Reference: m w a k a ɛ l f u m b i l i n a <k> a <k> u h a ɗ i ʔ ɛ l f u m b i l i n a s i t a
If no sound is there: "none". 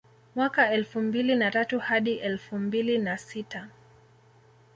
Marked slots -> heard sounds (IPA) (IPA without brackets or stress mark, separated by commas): t, t